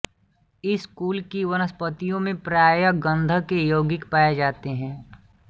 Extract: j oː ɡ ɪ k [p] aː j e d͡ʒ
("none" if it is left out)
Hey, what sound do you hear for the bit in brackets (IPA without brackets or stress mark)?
p